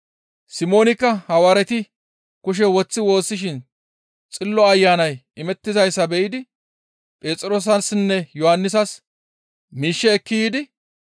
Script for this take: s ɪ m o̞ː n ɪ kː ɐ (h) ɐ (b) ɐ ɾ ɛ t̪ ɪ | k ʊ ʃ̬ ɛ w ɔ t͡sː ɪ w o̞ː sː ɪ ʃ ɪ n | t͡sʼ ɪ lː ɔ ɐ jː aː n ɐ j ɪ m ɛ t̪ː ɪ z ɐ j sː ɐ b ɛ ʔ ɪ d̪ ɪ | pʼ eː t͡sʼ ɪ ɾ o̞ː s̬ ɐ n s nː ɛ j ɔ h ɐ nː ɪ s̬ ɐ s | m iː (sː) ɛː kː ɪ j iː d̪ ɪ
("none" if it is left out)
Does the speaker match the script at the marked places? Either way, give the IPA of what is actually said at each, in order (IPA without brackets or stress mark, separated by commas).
h, w, ʃː